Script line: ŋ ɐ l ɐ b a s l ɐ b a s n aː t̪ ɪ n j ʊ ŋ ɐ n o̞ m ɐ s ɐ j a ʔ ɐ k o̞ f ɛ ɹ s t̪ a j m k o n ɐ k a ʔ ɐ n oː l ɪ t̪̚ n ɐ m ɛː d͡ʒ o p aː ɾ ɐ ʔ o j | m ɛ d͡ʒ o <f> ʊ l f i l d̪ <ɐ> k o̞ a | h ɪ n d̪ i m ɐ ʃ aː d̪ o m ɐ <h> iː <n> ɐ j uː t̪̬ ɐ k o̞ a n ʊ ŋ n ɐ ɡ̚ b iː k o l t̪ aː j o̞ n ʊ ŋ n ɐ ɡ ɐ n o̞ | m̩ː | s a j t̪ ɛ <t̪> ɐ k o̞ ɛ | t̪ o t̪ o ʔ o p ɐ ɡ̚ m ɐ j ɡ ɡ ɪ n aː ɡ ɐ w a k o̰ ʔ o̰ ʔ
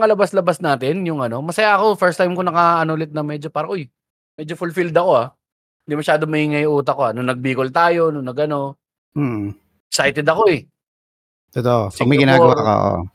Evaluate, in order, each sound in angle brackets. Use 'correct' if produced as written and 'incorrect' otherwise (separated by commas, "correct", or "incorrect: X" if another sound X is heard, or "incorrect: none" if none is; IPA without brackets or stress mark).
correct, correct, correct, incorrect: ŋ, incorrect: d̪